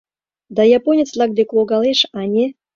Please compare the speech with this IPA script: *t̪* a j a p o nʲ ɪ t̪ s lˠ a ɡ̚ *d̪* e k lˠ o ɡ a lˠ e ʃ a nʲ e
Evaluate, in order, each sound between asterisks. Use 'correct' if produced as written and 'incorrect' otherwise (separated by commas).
incorrect, correct